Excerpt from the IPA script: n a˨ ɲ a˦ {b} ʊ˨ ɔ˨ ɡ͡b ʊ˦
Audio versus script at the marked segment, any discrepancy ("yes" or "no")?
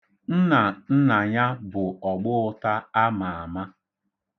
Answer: no